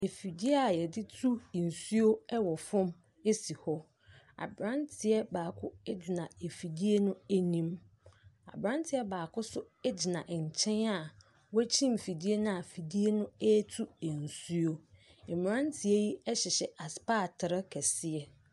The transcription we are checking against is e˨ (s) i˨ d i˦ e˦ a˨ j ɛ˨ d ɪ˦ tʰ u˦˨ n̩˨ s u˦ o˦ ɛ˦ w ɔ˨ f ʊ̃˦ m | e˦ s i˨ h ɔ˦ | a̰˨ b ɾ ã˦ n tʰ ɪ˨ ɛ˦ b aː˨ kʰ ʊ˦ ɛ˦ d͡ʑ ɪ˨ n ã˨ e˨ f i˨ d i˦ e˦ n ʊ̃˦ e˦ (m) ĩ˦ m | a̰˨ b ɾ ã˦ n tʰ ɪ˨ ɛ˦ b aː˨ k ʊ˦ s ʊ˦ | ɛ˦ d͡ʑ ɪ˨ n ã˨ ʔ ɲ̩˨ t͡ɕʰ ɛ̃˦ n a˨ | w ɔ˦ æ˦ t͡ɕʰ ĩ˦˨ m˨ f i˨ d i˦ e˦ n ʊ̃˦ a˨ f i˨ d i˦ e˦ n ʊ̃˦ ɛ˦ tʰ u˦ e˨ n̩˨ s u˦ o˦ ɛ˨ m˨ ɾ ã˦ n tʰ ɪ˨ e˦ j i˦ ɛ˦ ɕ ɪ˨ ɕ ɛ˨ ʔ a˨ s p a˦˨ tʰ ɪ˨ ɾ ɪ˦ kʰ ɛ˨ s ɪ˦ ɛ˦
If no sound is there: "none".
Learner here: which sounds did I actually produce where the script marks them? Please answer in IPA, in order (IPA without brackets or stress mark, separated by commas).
f, n